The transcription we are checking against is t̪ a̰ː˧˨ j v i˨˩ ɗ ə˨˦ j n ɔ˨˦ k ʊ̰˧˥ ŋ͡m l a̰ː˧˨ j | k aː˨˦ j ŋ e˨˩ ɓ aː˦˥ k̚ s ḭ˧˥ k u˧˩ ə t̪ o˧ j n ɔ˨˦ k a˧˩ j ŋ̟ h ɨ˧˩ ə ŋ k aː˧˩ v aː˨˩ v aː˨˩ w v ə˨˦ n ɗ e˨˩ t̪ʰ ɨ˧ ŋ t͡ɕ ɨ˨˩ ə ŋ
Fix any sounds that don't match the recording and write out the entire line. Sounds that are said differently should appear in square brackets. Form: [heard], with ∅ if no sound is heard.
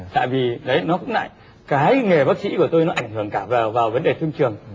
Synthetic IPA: t̪ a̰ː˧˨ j v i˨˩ ɗ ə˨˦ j n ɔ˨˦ k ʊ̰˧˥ ŋ͡m l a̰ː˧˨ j | k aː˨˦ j ŋ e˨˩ ɓ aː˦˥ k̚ s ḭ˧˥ k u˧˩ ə t̪ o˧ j n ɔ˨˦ [ʔ] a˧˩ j ŋ̟ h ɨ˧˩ ə ŋ k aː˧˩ v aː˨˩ v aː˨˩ w v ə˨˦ n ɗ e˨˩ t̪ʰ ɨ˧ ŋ t͡ɕ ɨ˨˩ ə ŋ